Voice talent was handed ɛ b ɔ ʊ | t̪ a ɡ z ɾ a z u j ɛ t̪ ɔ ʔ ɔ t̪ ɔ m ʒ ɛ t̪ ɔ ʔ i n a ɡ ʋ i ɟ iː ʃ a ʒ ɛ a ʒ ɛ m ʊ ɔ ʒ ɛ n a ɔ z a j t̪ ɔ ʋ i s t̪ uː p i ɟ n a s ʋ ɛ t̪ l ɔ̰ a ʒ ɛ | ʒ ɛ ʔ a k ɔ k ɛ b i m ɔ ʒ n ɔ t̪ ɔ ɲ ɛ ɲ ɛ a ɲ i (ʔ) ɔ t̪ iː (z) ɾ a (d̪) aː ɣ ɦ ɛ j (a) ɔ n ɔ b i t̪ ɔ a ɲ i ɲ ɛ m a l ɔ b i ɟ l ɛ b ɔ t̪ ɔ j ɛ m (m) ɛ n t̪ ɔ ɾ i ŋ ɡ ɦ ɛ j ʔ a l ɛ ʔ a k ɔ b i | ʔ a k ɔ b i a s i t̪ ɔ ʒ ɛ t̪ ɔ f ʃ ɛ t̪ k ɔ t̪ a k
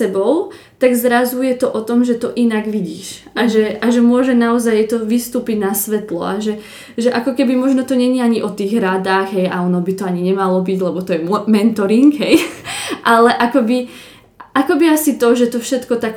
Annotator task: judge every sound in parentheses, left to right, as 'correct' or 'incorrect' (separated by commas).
correct, incorrect, correct, correct, correct